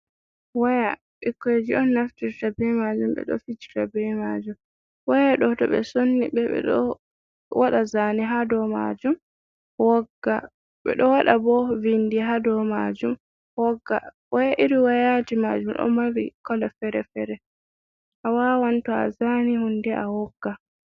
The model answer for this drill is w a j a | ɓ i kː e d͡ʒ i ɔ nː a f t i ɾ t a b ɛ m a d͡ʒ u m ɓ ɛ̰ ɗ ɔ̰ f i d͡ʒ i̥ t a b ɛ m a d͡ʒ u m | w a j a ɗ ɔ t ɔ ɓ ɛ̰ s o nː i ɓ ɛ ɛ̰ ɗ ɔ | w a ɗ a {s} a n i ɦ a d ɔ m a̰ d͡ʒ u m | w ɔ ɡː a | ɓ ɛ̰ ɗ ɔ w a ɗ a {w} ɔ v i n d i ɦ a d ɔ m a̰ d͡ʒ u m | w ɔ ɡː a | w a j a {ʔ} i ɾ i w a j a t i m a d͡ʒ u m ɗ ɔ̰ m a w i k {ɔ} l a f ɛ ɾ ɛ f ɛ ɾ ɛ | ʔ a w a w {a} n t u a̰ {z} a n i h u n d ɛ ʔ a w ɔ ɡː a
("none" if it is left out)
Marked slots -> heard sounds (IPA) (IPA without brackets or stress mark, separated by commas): z, b, ʔ, ɔ, a, z